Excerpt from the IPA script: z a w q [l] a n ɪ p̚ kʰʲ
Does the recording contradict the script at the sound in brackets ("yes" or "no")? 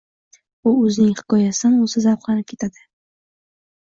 no